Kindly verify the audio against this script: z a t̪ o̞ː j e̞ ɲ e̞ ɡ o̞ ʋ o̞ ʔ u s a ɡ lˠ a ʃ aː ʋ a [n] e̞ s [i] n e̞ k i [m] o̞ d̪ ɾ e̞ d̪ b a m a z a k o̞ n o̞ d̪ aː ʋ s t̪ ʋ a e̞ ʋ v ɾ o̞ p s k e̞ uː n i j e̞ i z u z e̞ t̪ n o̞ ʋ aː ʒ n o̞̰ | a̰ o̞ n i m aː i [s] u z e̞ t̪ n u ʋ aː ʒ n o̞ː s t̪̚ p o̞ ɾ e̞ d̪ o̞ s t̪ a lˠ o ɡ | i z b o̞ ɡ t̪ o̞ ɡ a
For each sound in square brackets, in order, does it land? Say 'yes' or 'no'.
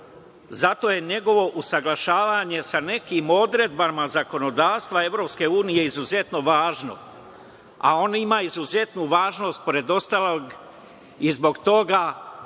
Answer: no, no, yes, no

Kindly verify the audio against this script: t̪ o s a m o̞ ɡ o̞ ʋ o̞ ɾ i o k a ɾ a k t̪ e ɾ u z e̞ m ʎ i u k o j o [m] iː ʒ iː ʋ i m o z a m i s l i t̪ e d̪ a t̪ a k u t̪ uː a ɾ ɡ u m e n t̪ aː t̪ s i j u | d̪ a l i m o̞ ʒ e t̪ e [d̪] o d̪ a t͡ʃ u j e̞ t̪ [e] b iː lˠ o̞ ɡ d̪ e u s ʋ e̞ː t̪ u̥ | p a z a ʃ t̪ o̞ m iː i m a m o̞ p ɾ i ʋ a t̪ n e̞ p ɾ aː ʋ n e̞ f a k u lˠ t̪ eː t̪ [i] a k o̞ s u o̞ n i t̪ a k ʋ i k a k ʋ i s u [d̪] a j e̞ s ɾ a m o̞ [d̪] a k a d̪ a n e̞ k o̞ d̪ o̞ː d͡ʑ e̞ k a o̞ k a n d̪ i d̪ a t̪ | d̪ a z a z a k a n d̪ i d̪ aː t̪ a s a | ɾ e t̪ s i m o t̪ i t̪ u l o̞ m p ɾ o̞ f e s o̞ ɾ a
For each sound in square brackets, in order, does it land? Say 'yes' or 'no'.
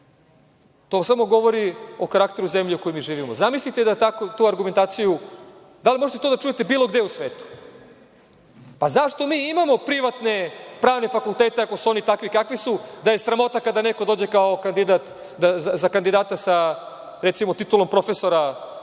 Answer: yes, no, yes, no, yes, no

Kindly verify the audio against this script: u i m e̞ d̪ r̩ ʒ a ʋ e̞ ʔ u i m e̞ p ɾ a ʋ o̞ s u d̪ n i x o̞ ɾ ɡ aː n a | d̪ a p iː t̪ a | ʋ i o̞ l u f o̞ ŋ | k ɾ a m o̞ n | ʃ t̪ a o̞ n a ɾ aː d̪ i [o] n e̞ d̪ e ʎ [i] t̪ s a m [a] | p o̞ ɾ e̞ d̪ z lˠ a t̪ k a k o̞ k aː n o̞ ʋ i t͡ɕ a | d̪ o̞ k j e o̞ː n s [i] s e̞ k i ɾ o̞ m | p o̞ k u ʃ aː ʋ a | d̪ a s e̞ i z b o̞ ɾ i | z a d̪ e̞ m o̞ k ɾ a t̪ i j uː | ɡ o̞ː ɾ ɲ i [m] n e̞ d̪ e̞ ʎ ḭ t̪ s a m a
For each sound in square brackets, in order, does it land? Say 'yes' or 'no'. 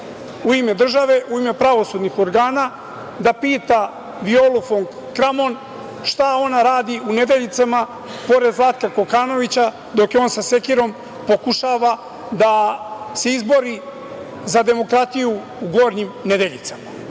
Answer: no, yes, yes, no, yes

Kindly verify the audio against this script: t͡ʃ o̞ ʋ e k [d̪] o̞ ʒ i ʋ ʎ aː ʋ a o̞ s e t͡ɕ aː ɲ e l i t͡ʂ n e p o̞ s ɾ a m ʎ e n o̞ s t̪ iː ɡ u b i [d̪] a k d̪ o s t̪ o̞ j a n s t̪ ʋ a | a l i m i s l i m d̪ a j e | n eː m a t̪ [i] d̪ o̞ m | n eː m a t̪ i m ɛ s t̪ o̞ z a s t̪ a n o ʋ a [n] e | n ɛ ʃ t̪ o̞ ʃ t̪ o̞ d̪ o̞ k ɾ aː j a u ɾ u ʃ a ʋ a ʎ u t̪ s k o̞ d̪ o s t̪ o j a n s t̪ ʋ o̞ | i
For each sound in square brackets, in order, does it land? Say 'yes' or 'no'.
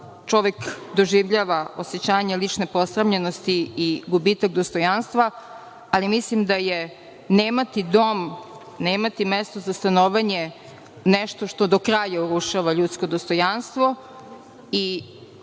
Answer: yes, no, yes, no

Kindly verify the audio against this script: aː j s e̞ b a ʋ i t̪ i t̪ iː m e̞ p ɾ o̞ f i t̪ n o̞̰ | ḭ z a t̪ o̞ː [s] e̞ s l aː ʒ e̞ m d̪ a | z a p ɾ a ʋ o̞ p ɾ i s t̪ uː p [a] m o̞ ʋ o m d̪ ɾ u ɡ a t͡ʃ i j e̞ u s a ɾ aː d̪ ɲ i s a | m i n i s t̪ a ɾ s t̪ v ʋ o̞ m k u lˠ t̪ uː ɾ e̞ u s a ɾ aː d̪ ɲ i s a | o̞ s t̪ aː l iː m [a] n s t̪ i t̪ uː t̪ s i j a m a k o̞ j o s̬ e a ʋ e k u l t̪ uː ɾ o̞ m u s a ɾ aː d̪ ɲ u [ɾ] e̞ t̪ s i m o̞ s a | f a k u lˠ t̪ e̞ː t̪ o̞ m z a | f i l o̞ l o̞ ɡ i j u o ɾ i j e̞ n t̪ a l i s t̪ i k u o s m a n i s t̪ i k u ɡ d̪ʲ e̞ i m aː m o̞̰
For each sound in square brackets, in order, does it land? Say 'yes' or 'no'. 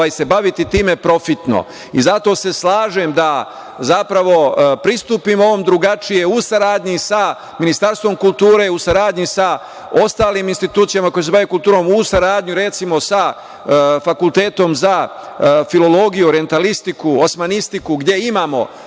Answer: yes, no, no, yes

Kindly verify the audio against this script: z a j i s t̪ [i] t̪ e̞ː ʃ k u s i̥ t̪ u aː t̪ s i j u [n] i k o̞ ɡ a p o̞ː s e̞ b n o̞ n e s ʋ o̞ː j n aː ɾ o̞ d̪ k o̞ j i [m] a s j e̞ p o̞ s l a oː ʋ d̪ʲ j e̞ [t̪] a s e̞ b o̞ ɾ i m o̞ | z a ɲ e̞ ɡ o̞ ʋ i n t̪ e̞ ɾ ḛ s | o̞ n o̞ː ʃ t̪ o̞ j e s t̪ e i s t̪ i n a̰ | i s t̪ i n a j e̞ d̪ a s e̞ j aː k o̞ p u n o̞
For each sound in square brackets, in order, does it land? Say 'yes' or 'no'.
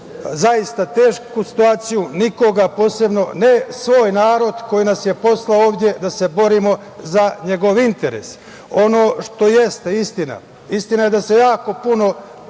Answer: no, yes, no, no

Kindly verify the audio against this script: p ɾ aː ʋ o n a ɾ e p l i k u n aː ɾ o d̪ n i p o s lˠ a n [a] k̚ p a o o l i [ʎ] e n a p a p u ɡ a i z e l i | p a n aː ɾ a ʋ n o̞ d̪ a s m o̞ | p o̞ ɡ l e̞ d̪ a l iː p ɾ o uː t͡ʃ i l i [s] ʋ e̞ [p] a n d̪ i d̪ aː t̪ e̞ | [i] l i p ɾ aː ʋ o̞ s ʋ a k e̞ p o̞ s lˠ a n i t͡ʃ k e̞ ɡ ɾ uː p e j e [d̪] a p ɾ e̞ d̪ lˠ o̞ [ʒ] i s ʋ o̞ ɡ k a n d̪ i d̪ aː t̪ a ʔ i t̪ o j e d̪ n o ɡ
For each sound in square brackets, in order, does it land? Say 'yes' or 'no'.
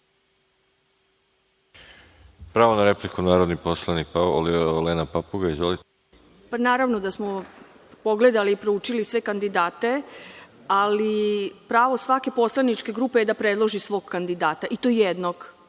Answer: no, no, yes, no, no, yes, yes

